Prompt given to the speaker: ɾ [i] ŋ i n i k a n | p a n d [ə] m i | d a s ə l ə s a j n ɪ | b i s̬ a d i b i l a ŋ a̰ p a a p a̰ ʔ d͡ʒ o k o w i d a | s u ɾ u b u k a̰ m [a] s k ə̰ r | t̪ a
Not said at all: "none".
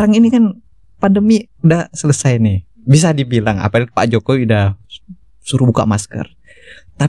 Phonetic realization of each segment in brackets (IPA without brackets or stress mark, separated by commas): a, ə, a